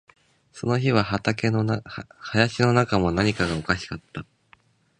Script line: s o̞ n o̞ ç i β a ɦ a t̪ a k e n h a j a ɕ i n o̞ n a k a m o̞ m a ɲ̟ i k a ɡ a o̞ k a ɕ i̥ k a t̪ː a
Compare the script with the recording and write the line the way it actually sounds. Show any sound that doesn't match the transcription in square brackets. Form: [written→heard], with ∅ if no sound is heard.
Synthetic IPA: s o̞ n o̞ ç i β a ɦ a t̪ a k e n h a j a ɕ i n o̞ n a k a m o̞ [m→n] a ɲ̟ i k a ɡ a o̞ k a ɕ i̥ k a t̪ː a